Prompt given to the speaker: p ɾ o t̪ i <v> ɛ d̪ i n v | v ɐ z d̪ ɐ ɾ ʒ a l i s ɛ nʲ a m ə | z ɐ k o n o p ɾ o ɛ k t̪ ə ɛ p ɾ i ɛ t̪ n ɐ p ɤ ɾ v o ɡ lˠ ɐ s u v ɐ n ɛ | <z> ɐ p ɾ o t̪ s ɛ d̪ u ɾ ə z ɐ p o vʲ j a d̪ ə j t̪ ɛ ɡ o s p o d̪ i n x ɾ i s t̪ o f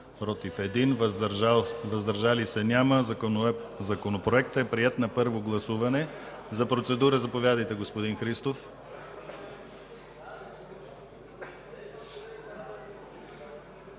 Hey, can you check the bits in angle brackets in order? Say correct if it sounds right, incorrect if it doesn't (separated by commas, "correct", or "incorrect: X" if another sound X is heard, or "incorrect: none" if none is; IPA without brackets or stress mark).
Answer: incorrect: f, correct